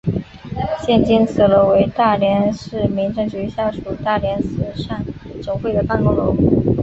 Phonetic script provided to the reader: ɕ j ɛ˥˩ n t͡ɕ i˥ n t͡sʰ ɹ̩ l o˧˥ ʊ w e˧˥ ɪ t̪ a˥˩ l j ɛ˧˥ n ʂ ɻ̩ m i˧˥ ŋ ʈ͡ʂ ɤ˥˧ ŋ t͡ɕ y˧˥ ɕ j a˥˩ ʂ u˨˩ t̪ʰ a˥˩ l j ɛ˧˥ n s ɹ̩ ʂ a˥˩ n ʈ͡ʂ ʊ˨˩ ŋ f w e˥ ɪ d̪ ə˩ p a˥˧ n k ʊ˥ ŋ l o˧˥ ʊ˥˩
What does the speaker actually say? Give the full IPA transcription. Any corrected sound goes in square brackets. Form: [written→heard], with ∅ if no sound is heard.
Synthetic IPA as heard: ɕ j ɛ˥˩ n t͡ɕ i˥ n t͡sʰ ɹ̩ l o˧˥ ʊ w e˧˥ ɪ t̪ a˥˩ l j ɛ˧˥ n ʂ ɻ̩ m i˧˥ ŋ ʈ͡ʂ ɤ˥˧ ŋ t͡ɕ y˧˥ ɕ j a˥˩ ʂ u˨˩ [t̪ʰ→t̪] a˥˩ l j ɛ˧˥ n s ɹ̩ ʂ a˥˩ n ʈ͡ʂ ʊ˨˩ ŋ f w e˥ ɪ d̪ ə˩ p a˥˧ n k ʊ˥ ŋ l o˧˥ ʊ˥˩